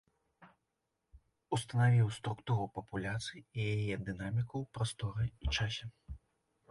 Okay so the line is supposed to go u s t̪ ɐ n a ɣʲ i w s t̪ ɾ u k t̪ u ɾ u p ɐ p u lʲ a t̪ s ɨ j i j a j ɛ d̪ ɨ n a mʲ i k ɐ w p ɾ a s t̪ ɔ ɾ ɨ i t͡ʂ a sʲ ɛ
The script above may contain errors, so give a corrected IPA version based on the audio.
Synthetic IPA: u s t̪ ɐ n a vʲ i w s t̪ ɾ u k t̪ u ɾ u p ɐ p u lʲ a t̪ s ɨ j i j a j ɛ d̪ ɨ n a mʲ i k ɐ w p ɾ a s t̪ ɔ ɾ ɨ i t͡ʂ a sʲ ɛ